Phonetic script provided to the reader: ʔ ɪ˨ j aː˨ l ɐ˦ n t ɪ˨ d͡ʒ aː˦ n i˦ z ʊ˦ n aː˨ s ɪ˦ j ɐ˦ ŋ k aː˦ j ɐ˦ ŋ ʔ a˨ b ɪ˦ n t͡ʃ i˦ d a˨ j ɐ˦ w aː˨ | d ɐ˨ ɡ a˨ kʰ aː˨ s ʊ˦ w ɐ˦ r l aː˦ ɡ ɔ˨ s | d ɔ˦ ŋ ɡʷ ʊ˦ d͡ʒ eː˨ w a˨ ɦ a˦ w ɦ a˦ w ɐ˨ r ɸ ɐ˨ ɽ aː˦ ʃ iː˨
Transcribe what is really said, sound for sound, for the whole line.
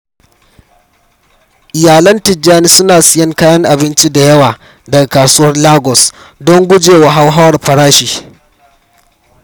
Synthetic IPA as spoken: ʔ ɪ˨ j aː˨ l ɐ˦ n t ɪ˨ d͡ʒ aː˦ n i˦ s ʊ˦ n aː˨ s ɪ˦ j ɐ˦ ŋ k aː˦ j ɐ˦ ŋ ʔ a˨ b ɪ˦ n t͡ʃ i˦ d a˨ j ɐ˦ w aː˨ | d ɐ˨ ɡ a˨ k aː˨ s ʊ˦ w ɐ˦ r l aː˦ ɡ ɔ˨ s | d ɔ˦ ŋ ɡʷ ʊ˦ d͡ʒ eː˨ w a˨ ɦ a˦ w ɦ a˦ w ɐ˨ r ɸ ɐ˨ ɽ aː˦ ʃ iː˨

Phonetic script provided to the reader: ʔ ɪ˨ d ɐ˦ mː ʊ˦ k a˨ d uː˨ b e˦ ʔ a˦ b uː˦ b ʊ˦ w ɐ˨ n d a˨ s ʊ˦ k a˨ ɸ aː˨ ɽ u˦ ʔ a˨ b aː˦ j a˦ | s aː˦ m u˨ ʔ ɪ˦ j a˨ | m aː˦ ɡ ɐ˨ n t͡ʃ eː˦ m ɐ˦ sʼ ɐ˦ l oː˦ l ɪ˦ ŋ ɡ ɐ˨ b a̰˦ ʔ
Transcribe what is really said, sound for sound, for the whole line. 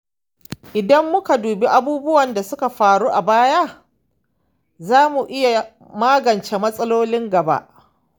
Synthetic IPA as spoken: ʔ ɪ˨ d ɐ˦ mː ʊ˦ k a˨ d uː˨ b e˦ ʔ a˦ b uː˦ b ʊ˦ w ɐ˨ n d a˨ s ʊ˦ k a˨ ɸ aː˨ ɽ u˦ ʔ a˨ b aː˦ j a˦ | z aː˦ m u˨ ʔ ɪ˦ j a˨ | m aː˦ ɡ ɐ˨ n t͡ʃ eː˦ m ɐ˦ sʼ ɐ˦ l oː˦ l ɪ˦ ŋ ɡ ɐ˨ b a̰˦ ʔ

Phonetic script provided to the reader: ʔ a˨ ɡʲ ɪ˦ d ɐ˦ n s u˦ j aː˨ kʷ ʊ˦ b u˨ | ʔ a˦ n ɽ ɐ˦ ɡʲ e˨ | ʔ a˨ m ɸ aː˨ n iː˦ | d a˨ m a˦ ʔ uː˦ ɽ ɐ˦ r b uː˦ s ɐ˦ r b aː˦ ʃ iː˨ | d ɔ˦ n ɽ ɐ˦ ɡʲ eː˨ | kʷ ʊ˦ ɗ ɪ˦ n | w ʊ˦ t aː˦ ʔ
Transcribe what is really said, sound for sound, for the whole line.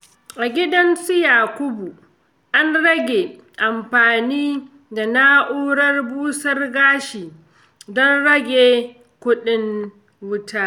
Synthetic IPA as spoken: ʔ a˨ ɡʲ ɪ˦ d ɐ˦ n s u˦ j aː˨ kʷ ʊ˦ b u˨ | ʔ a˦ n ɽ ɐ˦ ɡʲ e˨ | ʔ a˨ m ɸ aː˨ n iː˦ | d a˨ n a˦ ʔ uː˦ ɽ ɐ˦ r b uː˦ s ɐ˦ r ɡ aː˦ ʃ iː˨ | d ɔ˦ n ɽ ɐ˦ ɡʲ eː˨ | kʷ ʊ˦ ɗ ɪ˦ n | w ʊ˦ t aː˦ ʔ

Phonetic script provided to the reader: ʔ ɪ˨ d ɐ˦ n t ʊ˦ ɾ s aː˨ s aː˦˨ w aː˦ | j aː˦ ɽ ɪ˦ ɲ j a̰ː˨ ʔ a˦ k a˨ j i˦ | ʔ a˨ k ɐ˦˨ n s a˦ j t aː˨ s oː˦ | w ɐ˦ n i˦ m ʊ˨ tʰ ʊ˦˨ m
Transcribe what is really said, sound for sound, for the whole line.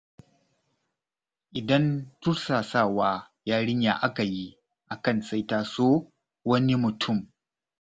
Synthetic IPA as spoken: ʔ ɪ˨ d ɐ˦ n t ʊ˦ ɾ s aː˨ s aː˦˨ w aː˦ | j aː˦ ɽ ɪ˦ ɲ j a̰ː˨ ʔ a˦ k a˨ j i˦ | ʔ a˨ k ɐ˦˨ n s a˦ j t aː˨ s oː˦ | w ɐ˦ n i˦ m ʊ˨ tʰ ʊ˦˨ m

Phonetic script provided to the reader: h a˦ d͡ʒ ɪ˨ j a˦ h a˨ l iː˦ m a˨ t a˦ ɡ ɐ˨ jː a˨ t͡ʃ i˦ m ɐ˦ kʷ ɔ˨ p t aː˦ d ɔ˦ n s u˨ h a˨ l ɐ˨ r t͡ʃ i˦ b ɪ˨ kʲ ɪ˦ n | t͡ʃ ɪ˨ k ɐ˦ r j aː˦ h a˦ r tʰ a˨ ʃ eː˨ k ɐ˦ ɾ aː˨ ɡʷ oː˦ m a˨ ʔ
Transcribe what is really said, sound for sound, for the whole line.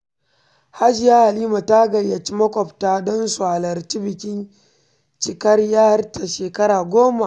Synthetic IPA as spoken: h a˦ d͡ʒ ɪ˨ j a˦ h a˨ l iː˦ m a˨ t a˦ ɡ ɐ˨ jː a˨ t͡ʃ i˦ m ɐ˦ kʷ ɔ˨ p t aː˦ d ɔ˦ n s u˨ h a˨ l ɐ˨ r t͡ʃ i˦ b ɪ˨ kʲ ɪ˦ n | t͡ʃ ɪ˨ k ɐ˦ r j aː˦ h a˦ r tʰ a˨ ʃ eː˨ k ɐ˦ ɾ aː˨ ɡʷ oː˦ m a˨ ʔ

